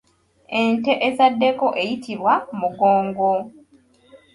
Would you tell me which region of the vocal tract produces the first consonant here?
tongue tip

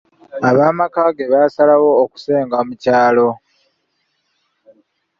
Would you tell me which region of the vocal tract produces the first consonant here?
lips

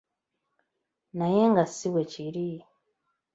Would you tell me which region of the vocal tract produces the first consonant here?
tongue tip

